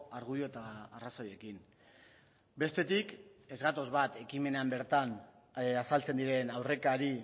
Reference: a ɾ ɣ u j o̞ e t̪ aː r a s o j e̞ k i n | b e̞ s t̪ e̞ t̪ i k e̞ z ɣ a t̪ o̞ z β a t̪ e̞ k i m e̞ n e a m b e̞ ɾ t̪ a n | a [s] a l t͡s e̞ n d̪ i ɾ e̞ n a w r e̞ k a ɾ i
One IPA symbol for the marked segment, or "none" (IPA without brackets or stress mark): s